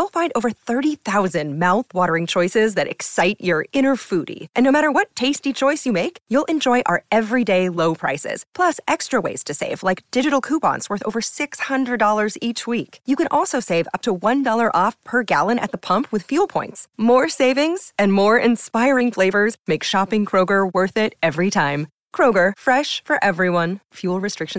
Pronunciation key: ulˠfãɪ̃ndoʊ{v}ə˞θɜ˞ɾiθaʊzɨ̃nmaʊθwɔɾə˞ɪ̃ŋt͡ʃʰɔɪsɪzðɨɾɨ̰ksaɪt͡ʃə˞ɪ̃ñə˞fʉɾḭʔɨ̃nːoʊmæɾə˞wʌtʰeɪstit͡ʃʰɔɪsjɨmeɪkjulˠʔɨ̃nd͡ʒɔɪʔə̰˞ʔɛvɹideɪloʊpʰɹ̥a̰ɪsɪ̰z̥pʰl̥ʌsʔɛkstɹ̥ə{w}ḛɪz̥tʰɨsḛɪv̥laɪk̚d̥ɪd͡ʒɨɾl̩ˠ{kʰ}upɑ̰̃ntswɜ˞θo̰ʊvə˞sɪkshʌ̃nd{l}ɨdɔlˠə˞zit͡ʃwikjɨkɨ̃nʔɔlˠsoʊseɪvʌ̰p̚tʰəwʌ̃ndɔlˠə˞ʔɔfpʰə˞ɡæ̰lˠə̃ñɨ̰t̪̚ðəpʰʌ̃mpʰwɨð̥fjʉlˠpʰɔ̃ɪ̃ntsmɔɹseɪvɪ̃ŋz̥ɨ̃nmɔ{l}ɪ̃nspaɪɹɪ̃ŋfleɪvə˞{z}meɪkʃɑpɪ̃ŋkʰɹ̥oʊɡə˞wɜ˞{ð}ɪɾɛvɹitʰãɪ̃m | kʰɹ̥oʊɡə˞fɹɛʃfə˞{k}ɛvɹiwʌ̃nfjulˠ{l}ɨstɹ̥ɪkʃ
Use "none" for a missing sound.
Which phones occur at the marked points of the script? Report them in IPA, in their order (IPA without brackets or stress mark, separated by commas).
v, w, kʰ, ɹ, ɹ, z, θ, ʔ, ɹ